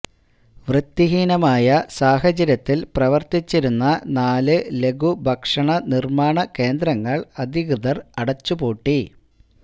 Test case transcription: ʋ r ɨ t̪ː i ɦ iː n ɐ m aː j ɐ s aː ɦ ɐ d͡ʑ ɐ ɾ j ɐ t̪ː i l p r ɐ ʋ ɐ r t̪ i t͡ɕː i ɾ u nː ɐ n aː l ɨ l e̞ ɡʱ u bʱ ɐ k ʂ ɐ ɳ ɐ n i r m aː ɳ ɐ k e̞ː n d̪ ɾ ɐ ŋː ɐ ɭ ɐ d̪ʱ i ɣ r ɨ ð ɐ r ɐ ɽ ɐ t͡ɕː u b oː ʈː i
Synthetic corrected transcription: ʋ r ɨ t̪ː i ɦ iː n ɐ m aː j ɐ s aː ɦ ɐ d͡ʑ ɐ ɾ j ɐ t̪ː i l p r ɐ ʋ ɐ r t̪ i t͡ɕː i ɾ u nː ɐ n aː l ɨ l e̞ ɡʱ u bʱ ɐ k ʂ ɐ ɳ ɐ n i r m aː ɳ ɐ k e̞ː n d̪ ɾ ɐ ŋː ɐ ɭ ɐ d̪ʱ i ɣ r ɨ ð ɐ r ɐ ɽ ɐ t͡ɕː u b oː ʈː i

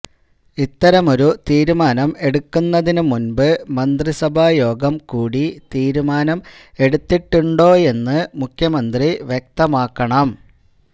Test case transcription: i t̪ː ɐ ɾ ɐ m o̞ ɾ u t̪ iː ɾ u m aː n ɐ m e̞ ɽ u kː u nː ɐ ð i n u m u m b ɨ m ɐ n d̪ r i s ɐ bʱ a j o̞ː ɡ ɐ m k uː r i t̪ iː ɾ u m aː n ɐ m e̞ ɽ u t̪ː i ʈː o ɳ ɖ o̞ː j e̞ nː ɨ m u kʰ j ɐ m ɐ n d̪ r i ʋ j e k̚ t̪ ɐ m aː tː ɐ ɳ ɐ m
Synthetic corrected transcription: i t̪ː ɐ ɾ ɐ m o̞ ɾ u t̪ iː ɾ u m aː n ɐ m e̞ ɽ u kː u nː ɐ ð i n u m u n b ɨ m ɐ n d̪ r i s ɐ bʱ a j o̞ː ɡ ɐ m k uː ɽ i t̪ iː ɾ u m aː n ɐ m e̞ ɽ u t̪ː i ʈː u ɳ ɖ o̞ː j e̞ nː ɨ m u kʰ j ɐ m ɐ n d̪ r i ʋ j e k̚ t̪ ɐ m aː kː ɐ ɳ ɐ m

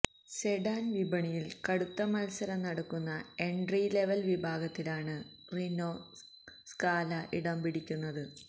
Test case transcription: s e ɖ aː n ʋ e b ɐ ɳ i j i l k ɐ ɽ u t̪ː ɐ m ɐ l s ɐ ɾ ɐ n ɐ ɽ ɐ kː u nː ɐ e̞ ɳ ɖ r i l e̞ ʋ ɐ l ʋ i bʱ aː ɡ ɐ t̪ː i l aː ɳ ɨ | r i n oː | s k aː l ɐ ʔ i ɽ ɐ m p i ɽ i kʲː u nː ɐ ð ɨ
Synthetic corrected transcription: s e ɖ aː n ʋ i b ɐ ɳ i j i l k ɐ ɽ u t̪ː ɐ m ɐ l s ɐ ɾ ɐ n ɐ ɽ ɐ kː u nː ɐ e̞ ɳ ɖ r i l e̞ ʋ ɐ l ʋ i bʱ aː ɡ ɐ t̪ː i l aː ɳ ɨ | r i n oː | s k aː l ɐ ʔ i ɽ ɐ m p i ɽ i kʲː u nː ɐ ð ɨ

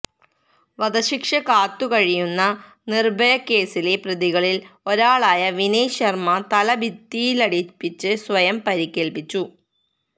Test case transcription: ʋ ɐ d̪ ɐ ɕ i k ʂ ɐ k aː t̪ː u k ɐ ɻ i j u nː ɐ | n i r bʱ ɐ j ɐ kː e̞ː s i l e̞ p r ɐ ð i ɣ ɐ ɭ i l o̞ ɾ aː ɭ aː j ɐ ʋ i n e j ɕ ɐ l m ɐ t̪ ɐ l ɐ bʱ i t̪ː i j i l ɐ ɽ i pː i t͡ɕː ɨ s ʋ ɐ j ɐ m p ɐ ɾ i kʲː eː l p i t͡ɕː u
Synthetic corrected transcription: ʋ ɐ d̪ ɐ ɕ i k ʂ ɐ k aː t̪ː u k ɐ ɻ i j u nː ɐ | n i r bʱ ɐ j ɐ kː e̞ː s i l e̞ p r ɐ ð i ɣ ɐ ɭ i l o̞ ɾ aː ɭ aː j ɐ ʋ i n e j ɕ ɐ r m ɐ t̪ ɐ l ɐ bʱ i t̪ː i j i l ɐ ɽ i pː i t͡ɕː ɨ s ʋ ɐ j ɐ m p ɐ ɾ i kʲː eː l p i t͡ɕː u

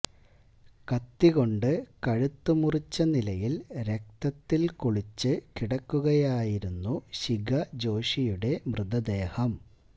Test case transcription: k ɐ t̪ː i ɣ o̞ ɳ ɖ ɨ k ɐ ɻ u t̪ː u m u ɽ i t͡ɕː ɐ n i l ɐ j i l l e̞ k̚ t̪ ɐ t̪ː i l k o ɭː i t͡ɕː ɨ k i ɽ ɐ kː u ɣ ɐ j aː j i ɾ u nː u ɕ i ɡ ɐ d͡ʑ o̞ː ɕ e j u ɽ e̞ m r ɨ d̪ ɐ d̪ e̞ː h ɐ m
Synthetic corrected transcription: k ɐ t̪ː i ɣ o̞ ɳ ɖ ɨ k ɐ ɻ u t̪ː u m u r i t͡ɕː ɐ n i l ɐ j i l ɾ e̞ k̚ t̪ ɐ t̪ː i l k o ɭ i t͡ɕː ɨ k i ɽ ɐ kː u ɣ ɐ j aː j i ɾ u nː u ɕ i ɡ ɐ d͡ʑ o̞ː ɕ i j u ɽ e̞ m r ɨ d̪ ɐ d̪ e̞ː h ɐ m

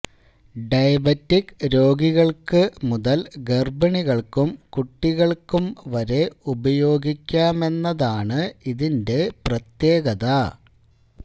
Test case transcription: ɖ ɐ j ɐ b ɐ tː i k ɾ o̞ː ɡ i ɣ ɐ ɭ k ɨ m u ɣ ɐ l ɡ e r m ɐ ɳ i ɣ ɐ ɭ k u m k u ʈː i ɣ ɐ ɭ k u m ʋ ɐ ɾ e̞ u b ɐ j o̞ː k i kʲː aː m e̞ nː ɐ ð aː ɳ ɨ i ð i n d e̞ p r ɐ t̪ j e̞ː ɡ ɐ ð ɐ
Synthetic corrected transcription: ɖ ɐ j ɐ b ɐ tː i k ɾ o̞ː ɡ i ɣ ɐ ɭ k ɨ m u ð ɐ l ɡ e r b ɐ ɳ i ɣ ɐ ɭ k u m k u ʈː i ɣ ɐ ɭ k u m ʋ ɐ ɾ e̞ u b ɐ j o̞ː ɡ i kʲː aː m e̞ nː ɐ ð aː ɳ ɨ i ð i n d e̞ p r ɐ t̪ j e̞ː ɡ ɐ ð ɐ

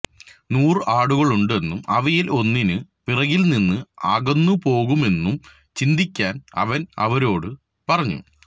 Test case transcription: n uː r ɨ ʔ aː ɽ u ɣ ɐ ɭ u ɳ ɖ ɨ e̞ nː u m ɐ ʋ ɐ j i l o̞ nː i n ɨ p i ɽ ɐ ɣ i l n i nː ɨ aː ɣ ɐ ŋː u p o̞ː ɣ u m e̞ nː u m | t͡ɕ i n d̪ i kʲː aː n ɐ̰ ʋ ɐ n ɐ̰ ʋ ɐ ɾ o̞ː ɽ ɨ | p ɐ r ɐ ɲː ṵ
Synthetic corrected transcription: n uː r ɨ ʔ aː ɽ u ɣ ɐ ɭ u ɳ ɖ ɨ e̞ nː u m ɐ ʋ ɐ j i l o̞ nː i n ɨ p i r ɐ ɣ i l n i nː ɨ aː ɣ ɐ nː u p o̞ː ɣ u m e̞ nː u m | t͡ɕ i n d̪ i kʲː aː n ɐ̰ ʋ ɐ n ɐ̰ ʋ ɐ ɾ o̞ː ɽ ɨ | p ɐ r ɐ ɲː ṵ

